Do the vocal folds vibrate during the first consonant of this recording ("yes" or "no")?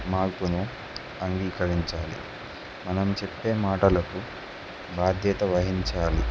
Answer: yes